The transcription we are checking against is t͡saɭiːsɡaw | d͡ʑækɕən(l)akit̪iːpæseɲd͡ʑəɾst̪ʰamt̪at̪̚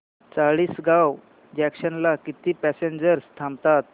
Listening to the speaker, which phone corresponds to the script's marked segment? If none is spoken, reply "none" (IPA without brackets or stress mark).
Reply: l